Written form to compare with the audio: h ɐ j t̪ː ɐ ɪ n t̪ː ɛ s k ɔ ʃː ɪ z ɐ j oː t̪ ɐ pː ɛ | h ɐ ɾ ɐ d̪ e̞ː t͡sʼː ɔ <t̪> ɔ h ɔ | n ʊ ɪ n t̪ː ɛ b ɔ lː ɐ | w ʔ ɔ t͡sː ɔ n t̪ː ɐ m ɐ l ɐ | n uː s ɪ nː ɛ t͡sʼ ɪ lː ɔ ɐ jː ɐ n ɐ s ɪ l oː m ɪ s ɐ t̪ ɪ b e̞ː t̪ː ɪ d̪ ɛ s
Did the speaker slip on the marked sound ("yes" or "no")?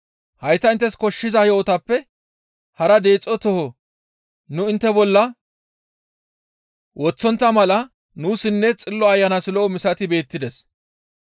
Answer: no